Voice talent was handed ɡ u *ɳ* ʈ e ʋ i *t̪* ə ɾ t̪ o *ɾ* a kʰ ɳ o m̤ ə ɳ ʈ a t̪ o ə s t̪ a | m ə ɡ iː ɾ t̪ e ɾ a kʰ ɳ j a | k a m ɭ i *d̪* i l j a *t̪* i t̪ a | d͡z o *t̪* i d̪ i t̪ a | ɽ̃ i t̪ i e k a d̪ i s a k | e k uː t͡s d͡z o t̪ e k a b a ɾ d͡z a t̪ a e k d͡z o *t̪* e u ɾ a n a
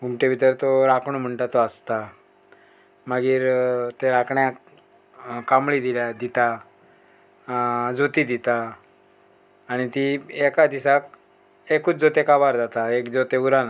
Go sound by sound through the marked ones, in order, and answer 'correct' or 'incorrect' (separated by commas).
incorrect, correct, correct, correct, incorrect, correct, correct